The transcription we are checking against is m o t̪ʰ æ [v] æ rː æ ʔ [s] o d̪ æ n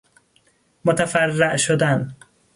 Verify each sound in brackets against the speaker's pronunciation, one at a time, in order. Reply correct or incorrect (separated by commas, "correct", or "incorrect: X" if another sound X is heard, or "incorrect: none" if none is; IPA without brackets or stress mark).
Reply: incorrect: f, incorrect: ʃ